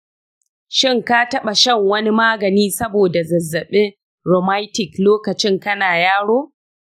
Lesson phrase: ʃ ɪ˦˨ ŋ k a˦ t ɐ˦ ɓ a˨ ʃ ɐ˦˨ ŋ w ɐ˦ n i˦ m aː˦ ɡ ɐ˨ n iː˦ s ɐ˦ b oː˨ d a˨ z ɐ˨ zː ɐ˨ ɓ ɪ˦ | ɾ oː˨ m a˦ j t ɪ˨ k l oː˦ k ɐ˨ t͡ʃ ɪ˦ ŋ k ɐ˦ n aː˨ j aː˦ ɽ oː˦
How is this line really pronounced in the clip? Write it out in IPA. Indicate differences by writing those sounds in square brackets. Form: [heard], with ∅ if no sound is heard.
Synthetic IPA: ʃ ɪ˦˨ ŋ k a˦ t ɐ˦ ɓ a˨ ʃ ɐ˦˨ ŋ w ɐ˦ n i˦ m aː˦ ɡ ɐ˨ n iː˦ s ɐ˦ b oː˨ d a˨ z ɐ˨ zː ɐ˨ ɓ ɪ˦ | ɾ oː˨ m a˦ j t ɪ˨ k l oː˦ k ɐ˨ t͡ʃ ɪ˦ ŋ k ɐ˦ n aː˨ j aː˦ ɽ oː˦